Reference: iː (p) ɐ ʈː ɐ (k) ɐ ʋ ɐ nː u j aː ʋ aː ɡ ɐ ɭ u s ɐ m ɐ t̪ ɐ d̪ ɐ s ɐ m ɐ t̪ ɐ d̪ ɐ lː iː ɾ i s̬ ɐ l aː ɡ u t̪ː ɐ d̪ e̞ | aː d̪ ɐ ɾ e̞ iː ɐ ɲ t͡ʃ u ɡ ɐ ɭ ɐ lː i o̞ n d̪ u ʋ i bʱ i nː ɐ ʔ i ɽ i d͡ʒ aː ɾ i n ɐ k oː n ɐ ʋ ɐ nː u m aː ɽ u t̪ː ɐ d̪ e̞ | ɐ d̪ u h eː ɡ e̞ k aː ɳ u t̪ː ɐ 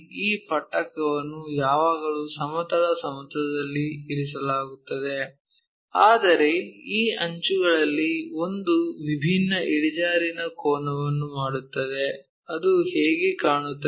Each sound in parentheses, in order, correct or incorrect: correct, correct

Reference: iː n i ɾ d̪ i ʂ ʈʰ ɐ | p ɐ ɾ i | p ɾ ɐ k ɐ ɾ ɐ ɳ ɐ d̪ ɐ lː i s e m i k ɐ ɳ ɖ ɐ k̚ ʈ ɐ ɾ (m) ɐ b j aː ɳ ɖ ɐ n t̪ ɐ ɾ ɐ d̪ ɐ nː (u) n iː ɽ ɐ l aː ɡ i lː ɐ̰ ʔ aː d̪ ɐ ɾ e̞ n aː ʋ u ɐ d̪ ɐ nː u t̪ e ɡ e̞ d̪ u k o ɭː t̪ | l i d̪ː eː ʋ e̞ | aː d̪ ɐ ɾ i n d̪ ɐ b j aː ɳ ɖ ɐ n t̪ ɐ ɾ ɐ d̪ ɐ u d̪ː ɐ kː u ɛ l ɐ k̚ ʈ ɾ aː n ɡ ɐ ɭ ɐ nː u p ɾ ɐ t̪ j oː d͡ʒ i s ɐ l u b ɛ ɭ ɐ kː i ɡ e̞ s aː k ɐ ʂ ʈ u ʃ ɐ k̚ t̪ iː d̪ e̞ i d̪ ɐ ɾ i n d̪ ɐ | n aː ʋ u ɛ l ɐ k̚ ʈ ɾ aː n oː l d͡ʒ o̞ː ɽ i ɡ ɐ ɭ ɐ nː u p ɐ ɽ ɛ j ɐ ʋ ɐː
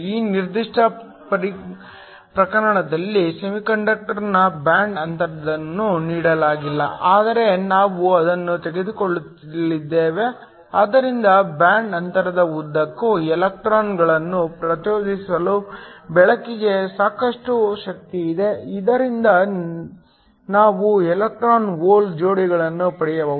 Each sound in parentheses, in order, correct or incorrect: incorrect, correct

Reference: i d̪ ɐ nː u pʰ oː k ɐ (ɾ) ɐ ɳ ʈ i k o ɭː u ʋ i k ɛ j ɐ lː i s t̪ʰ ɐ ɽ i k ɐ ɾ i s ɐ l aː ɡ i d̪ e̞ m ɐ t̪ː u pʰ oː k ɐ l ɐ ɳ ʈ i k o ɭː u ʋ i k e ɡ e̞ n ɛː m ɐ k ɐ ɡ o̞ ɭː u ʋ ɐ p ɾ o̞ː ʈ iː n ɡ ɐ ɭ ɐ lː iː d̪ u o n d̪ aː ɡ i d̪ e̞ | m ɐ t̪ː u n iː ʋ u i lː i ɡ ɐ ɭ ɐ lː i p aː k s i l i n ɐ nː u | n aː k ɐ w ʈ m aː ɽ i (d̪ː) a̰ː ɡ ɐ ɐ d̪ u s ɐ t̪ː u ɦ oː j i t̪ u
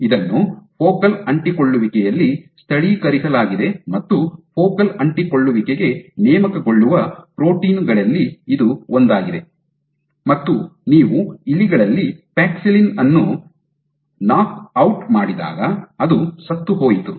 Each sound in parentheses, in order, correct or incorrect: incorrect, incorrect

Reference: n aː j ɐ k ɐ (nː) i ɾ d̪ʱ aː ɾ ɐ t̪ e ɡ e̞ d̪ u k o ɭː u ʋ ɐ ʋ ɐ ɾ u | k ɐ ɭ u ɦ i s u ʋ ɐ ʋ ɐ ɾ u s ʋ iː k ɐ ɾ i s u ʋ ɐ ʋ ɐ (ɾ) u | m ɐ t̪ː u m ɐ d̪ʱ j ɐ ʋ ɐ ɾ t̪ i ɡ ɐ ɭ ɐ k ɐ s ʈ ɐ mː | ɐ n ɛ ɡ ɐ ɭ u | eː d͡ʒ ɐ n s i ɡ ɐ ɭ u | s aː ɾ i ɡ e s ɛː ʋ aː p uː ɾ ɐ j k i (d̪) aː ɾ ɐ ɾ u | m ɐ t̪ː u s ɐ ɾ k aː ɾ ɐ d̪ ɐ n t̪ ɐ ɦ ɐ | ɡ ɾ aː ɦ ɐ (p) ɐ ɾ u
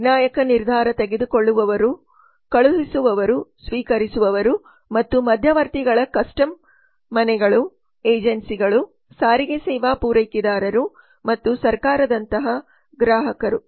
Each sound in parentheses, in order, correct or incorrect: incorrect, correct, correct, incorrect

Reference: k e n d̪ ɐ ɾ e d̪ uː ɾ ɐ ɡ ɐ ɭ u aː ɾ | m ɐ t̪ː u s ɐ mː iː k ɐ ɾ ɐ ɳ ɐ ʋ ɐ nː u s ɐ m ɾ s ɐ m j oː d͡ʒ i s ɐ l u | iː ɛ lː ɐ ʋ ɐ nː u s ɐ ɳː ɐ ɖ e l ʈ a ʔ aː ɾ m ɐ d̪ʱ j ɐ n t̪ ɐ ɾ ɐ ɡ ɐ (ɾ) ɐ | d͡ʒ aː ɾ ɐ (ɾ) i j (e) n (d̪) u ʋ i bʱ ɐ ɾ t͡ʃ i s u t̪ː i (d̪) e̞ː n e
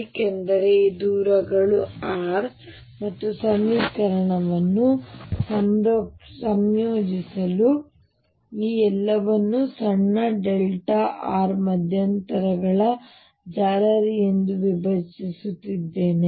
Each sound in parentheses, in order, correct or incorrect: incorrect, correct, correct, correct, incorrect

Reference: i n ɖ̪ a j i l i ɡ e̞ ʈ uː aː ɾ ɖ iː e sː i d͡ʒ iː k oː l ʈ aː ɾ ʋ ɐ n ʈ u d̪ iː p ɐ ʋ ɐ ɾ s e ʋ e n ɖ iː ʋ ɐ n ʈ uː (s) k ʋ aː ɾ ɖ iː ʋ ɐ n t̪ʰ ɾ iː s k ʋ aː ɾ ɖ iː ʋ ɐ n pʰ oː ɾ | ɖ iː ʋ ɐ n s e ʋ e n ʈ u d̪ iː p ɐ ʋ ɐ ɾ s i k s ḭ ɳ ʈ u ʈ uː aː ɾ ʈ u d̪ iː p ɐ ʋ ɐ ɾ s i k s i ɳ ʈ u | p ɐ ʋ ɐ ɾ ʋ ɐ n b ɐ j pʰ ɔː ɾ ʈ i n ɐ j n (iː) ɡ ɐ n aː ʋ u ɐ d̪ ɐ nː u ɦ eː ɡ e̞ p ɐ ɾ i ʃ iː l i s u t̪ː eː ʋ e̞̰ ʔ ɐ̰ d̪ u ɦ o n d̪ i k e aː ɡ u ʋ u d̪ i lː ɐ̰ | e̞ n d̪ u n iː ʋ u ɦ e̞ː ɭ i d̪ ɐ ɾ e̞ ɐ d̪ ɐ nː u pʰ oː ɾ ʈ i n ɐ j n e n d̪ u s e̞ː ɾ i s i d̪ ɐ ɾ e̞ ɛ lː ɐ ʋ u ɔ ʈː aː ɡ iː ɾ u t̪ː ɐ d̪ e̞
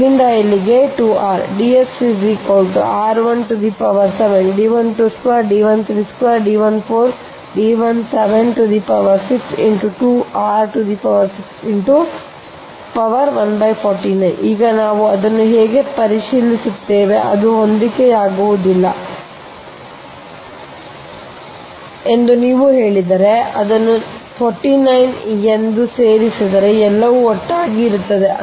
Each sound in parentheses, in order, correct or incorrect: correct, correct

